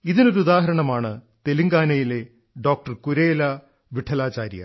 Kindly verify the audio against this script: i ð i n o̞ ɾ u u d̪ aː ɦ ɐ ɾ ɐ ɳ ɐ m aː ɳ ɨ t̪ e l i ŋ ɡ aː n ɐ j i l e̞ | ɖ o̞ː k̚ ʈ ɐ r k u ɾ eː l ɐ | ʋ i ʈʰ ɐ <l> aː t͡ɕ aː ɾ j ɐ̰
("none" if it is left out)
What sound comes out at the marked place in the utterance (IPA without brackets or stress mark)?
l